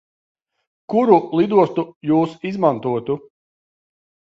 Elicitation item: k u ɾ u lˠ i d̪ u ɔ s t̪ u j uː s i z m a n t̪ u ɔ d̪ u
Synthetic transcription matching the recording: k u ɾ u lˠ i d̪ u ɔ s t̪ u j uː s i z m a n t̪ u ɔ t̪ u